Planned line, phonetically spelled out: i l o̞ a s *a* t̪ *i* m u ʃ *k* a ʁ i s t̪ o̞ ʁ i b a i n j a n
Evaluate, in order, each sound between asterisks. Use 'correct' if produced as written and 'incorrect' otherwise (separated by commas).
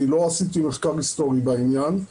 incorrect, correct, correct